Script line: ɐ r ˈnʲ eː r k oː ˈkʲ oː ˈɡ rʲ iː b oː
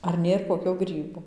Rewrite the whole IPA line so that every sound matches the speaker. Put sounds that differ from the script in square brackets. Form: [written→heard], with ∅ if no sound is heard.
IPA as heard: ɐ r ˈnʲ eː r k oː ˈkʲ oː ˈɡ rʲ iː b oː